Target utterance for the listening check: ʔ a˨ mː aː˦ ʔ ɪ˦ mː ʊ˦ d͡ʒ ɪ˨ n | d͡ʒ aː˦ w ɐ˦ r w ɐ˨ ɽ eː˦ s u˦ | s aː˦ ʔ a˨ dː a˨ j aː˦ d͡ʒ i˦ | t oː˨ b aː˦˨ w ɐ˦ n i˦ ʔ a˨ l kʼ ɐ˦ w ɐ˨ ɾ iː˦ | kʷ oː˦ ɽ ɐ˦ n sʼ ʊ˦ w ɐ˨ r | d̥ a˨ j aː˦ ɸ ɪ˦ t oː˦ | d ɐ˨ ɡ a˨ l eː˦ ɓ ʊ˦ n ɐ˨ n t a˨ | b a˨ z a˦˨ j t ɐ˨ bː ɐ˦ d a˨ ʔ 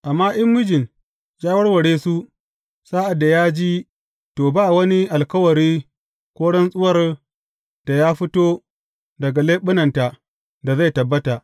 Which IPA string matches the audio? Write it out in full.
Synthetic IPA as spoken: ʔ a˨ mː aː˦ ʔ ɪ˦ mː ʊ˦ d͡ʒ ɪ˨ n | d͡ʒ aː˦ w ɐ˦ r w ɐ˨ ɽ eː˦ s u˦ | s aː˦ ʔ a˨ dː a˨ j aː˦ d͡ʒ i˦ | t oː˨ b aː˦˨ w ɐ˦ n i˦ ʔ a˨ l k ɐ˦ w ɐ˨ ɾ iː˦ | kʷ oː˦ ɽ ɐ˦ n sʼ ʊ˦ w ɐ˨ r | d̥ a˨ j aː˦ ɸ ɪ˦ t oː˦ | d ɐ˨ ɡ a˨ l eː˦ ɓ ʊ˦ n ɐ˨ n t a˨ | d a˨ z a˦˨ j t ɐ˨ bː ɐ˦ t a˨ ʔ